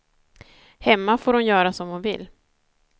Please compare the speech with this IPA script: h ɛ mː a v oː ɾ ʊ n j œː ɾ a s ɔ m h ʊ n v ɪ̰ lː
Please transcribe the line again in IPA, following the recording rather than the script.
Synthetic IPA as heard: h ɛ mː a f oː ɾ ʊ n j œː ɾ a s ɔ m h ʊ n v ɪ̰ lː